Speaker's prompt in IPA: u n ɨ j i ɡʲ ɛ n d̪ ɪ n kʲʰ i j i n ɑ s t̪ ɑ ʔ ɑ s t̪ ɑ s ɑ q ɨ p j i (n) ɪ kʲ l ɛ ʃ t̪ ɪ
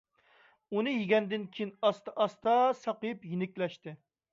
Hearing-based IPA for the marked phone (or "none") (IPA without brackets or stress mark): n